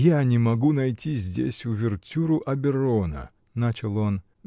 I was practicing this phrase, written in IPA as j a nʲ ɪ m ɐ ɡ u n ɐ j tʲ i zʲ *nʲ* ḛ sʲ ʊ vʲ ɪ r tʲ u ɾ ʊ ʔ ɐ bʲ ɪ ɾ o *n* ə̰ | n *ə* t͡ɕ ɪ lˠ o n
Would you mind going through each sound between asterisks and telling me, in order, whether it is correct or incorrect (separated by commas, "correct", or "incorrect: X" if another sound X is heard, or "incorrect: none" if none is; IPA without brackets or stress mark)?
incorrect: dʲ, correct, incorrect: a